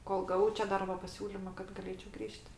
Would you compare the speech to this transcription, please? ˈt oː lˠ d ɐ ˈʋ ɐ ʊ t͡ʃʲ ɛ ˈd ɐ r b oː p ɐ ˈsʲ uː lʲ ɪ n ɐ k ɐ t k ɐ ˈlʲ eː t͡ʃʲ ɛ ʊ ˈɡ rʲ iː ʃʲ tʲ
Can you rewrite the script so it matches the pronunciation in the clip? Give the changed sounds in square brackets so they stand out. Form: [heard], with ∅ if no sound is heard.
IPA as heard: [ˈk] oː lˠ [ɡ] ɐ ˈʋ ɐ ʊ t͡ʃʲ ɛ ˈd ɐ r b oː p ɐ ˈsʲ uː lʲ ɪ [m] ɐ k ɐ t [ɡ] ɐ ˈlʲ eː t͡ʃʲ ɛ ʊ ˈɡ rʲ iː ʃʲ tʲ